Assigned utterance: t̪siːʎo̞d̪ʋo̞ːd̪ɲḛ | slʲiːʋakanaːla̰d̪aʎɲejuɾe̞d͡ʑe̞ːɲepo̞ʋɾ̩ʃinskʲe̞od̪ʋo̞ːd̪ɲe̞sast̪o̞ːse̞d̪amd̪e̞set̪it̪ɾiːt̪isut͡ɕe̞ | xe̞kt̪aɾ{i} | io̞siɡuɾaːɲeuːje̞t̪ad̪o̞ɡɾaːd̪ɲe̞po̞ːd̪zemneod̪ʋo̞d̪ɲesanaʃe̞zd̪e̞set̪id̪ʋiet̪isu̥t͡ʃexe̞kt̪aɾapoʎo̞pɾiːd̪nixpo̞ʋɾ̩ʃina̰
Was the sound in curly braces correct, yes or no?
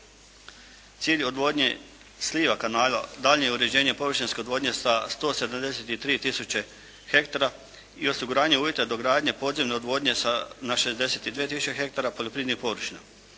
no